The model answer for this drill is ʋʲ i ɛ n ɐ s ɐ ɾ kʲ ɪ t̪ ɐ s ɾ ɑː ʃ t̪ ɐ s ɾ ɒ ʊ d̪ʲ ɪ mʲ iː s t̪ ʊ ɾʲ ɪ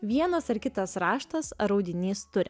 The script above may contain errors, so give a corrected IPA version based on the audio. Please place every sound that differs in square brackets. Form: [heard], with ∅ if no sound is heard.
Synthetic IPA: ʋʲ i ɛ n ɐ s ɐ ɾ kʲ ɪ t̪ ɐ s ɾ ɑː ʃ t̪ ɐ s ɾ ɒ ʊ d̪ʲ ɪ [nʲ] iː s t̪ ʊ ɾʲ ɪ